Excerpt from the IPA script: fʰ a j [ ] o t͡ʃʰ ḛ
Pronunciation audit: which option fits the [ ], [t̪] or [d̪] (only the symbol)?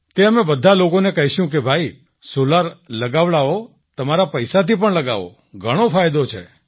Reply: d̪